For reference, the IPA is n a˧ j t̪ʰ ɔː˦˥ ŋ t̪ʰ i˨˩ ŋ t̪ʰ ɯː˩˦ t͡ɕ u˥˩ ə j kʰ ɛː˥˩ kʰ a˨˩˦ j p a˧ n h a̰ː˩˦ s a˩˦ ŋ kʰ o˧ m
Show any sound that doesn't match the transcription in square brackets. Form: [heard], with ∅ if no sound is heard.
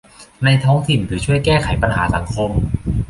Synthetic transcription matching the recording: n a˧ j t̪ʰ ɔː˦˥ ŋ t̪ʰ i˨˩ [n] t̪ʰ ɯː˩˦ [t͡ɕʰ] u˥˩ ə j [k] ɛː˥˩ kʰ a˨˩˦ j p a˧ n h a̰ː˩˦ s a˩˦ ŋ kʰ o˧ m